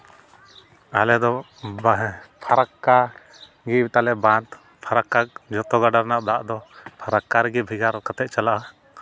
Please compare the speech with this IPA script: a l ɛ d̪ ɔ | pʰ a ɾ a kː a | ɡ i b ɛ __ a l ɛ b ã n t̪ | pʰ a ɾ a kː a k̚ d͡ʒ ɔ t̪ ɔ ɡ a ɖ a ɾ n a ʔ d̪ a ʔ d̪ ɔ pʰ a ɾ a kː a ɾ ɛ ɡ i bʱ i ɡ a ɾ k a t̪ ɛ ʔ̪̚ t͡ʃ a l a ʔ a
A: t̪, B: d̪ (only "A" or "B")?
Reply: A